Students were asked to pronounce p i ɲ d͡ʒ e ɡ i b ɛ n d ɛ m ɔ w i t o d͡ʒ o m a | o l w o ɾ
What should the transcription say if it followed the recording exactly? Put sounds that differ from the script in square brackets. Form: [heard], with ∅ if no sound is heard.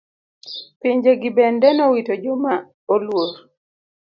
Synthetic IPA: p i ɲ d͡ʒ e ɡ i b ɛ n d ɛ [n] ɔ w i t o d͡ʒ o m a | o l w o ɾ